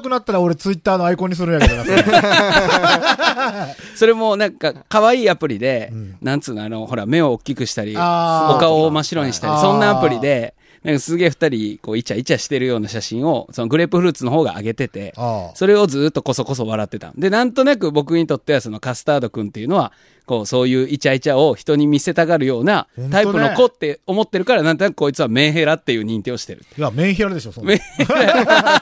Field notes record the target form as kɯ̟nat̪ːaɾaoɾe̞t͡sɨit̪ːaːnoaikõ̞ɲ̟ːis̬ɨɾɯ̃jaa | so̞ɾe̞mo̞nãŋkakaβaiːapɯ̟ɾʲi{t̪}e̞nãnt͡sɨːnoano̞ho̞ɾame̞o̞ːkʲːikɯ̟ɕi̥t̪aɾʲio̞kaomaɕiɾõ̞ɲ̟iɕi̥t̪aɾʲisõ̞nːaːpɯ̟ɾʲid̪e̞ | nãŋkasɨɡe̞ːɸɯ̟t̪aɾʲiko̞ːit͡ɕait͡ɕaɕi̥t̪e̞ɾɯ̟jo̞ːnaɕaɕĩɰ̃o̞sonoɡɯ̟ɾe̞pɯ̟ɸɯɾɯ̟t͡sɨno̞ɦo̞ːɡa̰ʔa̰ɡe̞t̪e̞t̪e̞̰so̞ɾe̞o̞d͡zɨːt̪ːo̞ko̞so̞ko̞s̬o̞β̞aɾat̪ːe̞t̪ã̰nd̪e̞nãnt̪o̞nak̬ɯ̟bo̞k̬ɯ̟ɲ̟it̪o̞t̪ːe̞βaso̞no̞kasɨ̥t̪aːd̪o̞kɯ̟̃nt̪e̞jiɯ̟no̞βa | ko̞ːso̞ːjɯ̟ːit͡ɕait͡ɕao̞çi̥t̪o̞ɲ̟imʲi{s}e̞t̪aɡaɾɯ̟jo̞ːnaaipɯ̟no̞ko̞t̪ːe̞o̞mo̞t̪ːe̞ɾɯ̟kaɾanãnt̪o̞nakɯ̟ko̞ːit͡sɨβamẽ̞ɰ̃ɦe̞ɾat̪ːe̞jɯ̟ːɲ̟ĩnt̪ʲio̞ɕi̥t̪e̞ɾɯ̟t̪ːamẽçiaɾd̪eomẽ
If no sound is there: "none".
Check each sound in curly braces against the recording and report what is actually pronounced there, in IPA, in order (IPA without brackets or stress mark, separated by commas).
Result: d̪, s